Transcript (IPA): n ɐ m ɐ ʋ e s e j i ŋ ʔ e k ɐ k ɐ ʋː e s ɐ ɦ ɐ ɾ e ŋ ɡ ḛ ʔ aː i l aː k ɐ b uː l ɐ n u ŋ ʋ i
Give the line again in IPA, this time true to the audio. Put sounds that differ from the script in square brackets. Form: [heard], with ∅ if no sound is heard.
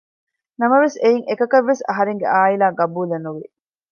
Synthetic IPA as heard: n ɐ m ɐ ʋ e s e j i ŋ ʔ e k ɐ k ɐ ʋː e s ɐ ɦ ɐ ɾ e ŋ ɡ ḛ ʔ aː i l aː [ɡ] ɐ b uː l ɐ n u [∅] ʋ i